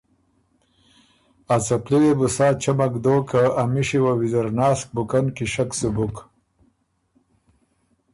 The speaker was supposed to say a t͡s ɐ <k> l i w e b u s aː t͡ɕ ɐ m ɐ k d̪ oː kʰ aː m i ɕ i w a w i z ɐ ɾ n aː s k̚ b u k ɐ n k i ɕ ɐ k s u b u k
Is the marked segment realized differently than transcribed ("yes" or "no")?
yes